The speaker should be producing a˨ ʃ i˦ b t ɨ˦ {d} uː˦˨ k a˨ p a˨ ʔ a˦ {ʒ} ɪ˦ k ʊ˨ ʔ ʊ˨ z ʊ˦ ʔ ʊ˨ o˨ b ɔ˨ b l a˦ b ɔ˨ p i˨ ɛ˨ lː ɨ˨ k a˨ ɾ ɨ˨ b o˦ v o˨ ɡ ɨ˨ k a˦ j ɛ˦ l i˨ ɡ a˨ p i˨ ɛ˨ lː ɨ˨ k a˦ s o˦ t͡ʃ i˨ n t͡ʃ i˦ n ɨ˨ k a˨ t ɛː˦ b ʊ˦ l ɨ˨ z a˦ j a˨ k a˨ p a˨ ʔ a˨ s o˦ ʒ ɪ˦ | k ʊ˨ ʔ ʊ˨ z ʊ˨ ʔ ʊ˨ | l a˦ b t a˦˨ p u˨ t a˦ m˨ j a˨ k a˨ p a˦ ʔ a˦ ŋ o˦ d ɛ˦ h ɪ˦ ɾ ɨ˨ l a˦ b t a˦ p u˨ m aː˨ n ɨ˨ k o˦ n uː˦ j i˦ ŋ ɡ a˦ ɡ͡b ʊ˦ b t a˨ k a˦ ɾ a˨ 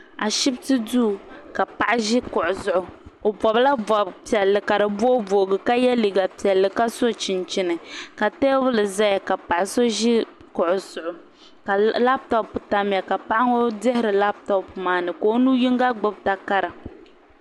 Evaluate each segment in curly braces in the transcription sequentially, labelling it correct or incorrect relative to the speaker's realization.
correct, correct

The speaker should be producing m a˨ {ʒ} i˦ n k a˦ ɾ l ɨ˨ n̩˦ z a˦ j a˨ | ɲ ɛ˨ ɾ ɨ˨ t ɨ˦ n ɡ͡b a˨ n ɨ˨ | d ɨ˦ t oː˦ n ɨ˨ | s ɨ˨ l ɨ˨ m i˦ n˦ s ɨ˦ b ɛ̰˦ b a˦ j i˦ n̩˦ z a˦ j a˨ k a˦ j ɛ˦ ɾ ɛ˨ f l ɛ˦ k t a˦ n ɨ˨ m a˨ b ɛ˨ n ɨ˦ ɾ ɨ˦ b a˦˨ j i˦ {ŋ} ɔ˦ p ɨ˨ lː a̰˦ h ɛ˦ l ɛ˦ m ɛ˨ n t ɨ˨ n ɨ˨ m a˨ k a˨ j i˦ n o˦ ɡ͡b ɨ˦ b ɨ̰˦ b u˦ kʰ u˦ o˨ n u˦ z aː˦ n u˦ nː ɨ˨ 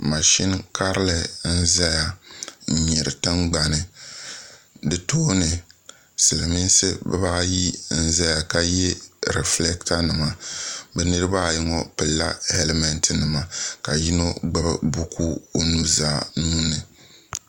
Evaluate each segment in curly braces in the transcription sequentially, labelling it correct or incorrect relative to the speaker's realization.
incorrect: ʃ, correct

